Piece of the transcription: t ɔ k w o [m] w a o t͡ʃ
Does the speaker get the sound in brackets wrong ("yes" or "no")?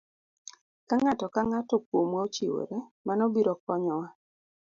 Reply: no